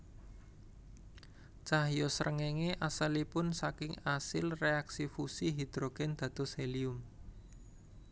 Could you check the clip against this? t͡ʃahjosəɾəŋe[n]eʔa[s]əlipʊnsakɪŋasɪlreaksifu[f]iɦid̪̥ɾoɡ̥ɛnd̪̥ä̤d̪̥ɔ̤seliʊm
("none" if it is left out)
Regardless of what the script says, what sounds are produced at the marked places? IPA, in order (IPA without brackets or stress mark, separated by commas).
ŋ, s, s